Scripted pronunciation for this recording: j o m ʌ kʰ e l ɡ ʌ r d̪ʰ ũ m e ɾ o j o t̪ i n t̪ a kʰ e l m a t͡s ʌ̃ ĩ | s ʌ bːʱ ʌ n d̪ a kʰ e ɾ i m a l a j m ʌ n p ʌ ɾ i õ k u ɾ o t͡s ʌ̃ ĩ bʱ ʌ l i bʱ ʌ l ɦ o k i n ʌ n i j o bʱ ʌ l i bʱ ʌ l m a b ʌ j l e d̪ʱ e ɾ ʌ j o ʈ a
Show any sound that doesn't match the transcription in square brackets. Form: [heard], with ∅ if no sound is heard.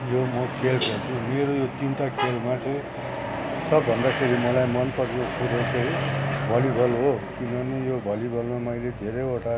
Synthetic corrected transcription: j o m ʌ kʰ e l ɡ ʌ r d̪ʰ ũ m e ɾ o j o t̪ i n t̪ a kʰ e l m a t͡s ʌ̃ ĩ | s ʌ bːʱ ʌ n d̪ a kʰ e ɾ i m [ʌ] l a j m ʌ n p ʌ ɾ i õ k u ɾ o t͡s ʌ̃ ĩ bʱ ʌ l i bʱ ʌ l ɦ o k i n ʌ n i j o bʱ ʌ l i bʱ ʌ l m a [m] ʌ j l e d̪ʱ e ɾ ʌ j o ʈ a